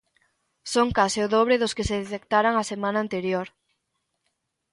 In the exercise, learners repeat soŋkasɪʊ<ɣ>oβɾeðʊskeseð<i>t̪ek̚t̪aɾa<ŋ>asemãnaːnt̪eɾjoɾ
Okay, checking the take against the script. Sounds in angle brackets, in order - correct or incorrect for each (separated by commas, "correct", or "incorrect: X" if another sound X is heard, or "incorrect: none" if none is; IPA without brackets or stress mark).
incorrect: ð, incorrect: e, correct